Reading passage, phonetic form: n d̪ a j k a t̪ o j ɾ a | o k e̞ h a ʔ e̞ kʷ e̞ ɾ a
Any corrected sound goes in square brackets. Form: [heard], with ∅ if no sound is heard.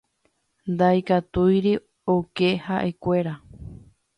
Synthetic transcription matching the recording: n d̪ a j k a t̪ [u] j ɾ [i] | o k e̞ h a ʔ e̞ kʷ e̞ ɾ a